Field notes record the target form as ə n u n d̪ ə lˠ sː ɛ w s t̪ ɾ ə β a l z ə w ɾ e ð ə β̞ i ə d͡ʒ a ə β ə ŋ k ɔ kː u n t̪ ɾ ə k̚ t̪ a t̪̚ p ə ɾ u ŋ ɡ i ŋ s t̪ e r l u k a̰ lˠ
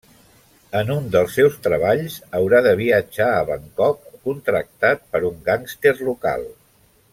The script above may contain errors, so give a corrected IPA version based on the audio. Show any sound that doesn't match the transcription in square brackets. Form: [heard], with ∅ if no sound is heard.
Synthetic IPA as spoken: ə n u n d̪ ə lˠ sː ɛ w s t̪ ɾ ə β a [ʎ] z ə w ɾ [a] ð ə β̞ i ə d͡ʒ a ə β ə ŋ k ɔ kː u n t̪ ɾ ə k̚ t̪ a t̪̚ p ə ɾ u ŋ ɡ [a] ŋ s t̪ e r l u k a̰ lˠ